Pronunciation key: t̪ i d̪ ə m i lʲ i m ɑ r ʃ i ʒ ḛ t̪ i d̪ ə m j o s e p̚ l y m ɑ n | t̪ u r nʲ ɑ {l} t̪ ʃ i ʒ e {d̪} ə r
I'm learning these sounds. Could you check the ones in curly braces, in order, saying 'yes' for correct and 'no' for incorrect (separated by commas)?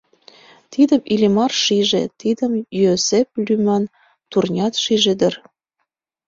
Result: no, yes